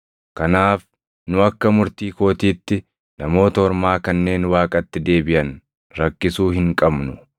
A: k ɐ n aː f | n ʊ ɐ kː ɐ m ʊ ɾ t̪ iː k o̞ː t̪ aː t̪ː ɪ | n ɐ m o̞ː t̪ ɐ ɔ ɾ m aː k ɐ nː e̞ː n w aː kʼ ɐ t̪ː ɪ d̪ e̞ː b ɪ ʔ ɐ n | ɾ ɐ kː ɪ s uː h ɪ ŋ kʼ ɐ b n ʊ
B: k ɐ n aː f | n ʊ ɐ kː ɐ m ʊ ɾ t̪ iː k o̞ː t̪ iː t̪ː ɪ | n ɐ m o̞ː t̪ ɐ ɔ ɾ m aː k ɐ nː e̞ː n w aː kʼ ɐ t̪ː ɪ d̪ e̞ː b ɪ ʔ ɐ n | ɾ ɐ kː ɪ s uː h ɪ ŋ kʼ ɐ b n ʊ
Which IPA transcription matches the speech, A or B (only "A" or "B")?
B